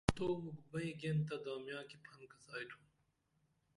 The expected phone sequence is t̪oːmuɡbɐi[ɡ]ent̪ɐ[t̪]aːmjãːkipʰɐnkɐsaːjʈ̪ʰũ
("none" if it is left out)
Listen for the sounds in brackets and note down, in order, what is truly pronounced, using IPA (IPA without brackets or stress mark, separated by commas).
ɡ, d̪